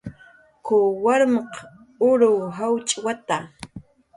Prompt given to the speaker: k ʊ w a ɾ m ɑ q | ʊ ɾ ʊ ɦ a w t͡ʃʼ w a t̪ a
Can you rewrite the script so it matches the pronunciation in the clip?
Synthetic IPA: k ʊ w a ɾ m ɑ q | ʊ ɾ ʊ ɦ a w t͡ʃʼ w a t̪ a